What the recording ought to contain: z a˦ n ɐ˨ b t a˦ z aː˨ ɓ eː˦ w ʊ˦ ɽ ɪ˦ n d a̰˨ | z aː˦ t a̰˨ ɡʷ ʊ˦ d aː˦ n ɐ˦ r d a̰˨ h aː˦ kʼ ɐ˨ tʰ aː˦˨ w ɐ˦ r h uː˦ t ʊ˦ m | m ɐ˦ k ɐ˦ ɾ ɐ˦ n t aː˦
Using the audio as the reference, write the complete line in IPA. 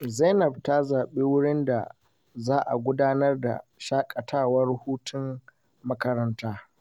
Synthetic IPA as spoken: z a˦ n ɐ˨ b t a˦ z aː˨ ɓ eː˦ w ʊ˦ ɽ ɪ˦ n d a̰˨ | z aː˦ ʔ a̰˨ ɡʷ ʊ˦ d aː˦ n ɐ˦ r d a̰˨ ʃ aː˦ kʼ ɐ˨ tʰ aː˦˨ w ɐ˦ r h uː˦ t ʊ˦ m | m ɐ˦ k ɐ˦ ɾ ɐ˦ n t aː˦